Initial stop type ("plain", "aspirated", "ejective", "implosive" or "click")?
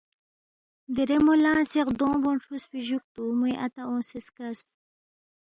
plain